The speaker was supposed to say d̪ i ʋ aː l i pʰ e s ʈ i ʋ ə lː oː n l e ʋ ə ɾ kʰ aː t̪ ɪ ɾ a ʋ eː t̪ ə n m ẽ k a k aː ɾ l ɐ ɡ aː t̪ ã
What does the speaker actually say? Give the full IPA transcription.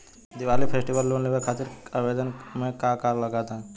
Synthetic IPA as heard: d̪ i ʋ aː l i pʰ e s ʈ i ʋ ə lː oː n l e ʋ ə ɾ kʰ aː t̪ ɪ ɾ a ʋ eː d̪ ə n m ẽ k a k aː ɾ l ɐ ɡ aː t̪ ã

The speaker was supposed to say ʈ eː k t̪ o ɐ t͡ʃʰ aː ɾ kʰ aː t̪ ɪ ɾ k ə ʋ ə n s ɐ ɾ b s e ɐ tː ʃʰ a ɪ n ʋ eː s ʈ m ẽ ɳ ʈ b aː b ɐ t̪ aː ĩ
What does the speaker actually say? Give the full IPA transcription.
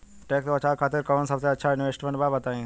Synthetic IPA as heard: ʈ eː k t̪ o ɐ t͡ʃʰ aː ɾ kʰ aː t̪ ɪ ɾ k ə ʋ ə n s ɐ b s e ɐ tː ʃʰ a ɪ n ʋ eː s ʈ m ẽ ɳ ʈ b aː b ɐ t̪ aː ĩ

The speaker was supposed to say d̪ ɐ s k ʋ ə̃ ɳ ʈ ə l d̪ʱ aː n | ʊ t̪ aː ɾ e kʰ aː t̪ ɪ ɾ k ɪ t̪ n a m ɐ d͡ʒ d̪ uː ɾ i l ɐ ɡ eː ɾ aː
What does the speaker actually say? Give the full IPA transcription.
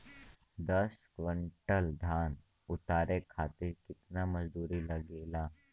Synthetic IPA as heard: d̪ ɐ s k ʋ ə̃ ɳ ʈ ə l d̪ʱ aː n | ʊ t̪ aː ɾ e kʰ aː t̪ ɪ ɾ k ɪ t̪ n a m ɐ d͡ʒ d̪ uː ɾ i l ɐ ɡ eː l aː

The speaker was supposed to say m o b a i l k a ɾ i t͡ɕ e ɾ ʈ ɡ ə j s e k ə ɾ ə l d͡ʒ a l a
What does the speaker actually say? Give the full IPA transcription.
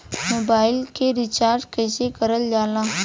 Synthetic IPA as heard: m o b a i l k e ɾ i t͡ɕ a ɾ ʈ k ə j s e k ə ɾ ə l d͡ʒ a l a

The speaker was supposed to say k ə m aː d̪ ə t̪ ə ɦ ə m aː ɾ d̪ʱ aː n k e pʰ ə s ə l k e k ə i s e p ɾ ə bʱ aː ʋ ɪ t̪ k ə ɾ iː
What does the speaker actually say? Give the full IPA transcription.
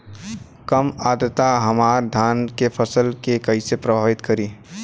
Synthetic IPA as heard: k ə m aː d̪ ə t̪ a ɦ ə m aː ɾ d̪ʱ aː n k e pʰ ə s ə l k e k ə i s e p ɾ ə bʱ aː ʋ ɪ t̪ k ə ɾ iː

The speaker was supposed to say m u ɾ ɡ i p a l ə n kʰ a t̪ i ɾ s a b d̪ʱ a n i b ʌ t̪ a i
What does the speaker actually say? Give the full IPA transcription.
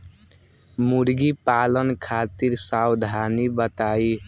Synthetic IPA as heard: m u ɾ ɡ i p a l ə n kʰ a t̪ i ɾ s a w d̪ʱ a n i b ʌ t̪ a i

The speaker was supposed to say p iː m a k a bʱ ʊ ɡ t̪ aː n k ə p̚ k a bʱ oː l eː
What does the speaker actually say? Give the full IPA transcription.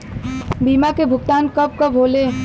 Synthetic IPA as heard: b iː m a k e bʱ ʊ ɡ t̪ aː n k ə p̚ k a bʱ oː l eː

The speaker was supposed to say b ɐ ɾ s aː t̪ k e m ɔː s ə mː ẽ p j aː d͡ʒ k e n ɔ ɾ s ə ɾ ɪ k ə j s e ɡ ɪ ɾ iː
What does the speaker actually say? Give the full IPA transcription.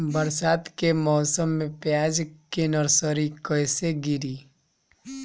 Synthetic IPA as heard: b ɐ ɾ s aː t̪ k e m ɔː s ə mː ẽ p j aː d͡ʒ k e n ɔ ɾ s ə ɾ i k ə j s e ɡ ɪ ɾ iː

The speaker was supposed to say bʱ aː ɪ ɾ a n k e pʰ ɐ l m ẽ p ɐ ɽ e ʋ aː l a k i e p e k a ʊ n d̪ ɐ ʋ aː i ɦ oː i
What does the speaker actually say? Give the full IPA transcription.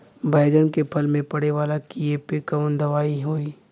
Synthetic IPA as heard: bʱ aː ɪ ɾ ə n k e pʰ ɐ l m ẽ p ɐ ɽ e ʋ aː l a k i e p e k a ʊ n d̪ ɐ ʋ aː i ɦ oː i

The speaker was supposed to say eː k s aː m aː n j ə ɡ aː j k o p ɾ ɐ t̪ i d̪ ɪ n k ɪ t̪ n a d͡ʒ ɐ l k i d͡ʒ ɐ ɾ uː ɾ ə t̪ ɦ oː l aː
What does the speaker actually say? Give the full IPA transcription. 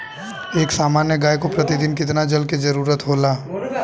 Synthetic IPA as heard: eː k s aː m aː n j ə ɡ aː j k o p ɾ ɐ t̪ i d̪ ɪ n k ɪ t̪ n a d͡ʒ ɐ l k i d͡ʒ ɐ ɾ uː ɾ ə t̪ ɦ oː l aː

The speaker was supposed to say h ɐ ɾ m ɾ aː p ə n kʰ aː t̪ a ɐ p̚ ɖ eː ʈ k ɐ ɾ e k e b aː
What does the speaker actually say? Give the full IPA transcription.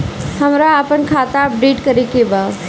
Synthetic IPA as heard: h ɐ m ɾ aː p ə n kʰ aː t̪ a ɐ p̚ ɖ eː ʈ k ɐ ɾ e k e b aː

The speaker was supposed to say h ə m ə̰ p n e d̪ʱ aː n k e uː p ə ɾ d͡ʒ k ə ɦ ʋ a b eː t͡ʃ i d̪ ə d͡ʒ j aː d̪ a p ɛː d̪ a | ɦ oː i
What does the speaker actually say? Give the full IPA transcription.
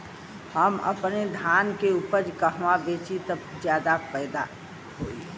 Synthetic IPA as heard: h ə m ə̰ p n e d̪ʱ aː n k e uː p ə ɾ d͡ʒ k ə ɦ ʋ a b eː t͡ʃ i t̪ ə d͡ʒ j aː d̪ a p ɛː d̪ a | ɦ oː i

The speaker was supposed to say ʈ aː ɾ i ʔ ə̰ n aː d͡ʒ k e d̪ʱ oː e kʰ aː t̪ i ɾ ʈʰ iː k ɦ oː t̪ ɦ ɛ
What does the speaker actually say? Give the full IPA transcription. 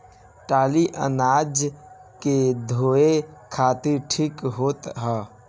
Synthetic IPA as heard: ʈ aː l i ʔ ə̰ n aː d͡ʒ k e d̪ʱ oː e kʰ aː t̪ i ɾ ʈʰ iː k ɦ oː t̪ ɦ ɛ

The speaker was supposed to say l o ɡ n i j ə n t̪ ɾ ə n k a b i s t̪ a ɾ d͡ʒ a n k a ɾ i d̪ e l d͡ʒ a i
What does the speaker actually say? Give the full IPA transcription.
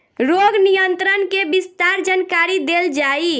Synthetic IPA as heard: ɾ o ɡ n i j ə n t̪ ɾ ə n k e b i s t̪ a ɾ d͡ʒ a n k a ɾ i d̪ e l d͡ʒ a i

